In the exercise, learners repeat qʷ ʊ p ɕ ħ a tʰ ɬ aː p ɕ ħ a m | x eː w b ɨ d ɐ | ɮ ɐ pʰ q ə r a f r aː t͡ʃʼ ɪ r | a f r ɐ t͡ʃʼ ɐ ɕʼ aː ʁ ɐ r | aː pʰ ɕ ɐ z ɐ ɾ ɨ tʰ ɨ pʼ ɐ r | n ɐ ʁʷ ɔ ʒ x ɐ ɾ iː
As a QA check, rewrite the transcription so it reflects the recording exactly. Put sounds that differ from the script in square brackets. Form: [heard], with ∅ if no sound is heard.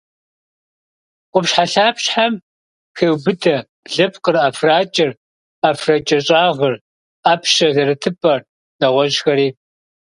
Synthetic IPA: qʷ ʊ p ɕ ħ a [∅] ɬ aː p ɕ ħ a m | x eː w b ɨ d ɐ | ɮ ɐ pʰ q ə r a f r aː t͡ʃʼ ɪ r | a f r ɐ t͡ʃʼ ɐ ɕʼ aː ʁ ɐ r | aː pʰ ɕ ɐ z ɐ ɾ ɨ tʰ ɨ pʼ ɐ r | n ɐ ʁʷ ɔ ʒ x ɐ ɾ iː

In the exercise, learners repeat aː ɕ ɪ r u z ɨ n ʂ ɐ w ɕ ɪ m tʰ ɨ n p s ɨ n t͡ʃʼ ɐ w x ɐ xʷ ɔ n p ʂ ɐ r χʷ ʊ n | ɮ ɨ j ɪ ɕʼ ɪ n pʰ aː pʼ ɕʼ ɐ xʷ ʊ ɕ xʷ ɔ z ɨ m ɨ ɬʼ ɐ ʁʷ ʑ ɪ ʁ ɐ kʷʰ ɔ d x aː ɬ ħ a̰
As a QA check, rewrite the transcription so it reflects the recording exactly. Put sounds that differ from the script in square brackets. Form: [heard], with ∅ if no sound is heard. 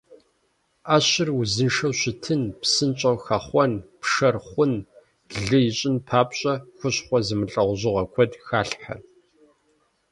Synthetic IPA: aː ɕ ɪ r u z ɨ n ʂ ɐ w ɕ ɪ [∅] tʰ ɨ n p s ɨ n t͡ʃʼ ɐ w x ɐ [χʷ] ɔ n p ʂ ɐ r χʷ ʊ n | ɮ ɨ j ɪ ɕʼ ɪ n pʰ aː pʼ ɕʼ ɐ xʷ ʊ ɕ [χʷ] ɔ z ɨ m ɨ ɬʼ ɐ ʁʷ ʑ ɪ ʁ ɐ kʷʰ ɔ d x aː ɬ ħ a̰

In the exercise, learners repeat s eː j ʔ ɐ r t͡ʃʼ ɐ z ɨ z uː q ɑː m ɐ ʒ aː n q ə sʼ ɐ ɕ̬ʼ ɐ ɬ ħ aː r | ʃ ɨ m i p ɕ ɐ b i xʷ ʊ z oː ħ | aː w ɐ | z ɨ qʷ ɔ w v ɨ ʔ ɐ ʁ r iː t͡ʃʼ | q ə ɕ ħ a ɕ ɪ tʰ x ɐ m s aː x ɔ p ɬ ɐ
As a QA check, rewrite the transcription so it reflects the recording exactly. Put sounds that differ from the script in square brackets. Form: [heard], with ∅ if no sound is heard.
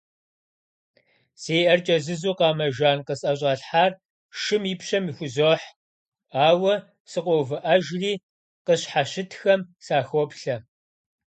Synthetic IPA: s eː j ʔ ɐ r t͡ʃʼ ɐ z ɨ z uː q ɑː m ɐ ʒ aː n q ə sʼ ɐ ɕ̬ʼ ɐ ɬ ħ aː r | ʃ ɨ m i p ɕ ɐ [m] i xʷ ʊ z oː ħ | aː w ɐ | [s] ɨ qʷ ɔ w v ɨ ʔ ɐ [ʒ] r iː [∅] | q ə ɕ ħ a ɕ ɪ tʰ x ɐ m s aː x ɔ p ɬ ɐ

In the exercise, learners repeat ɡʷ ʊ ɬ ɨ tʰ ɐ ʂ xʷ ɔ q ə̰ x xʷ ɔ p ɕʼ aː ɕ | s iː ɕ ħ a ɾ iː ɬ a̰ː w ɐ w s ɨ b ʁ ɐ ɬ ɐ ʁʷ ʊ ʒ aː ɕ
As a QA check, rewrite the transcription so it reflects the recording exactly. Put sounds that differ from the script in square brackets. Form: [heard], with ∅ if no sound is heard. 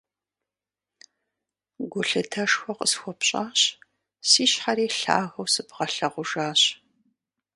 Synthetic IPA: ɡʷ ʊ ɬ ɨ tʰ ɐ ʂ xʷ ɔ q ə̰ [s] xʷ ɔ p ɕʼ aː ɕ | s iː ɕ ħ a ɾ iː ɬ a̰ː [ɣ] ɐ w s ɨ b ʁ ɐ ɬ ɐ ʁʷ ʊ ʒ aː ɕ

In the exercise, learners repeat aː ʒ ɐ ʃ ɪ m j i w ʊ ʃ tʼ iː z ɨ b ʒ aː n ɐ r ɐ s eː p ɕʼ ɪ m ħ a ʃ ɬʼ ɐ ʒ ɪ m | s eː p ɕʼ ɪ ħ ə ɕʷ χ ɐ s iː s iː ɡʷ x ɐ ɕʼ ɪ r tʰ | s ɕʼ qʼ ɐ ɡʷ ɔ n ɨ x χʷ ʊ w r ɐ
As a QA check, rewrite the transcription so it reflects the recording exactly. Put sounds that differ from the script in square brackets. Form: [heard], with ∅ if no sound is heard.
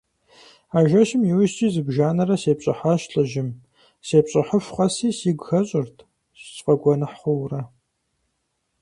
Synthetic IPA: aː ʒ ɐ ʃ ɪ m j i w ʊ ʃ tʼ iː z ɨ b ʒ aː n ɐ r ɐ s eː p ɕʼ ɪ [∅] ħ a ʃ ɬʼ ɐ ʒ ɪ m | s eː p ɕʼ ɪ ħ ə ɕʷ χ ɐ s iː s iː ɡʷ x ɐ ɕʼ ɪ r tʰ | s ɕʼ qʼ ɐ ɡʷ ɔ n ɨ [ħ] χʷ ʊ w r ɐ

